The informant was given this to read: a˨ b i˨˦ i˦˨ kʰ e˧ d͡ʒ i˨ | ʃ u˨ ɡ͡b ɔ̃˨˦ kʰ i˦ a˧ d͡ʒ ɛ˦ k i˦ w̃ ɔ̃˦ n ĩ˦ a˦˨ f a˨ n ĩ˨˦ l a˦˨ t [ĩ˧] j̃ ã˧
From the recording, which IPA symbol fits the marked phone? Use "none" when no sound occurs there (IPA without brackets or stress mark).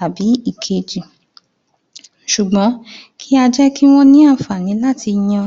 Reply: i˧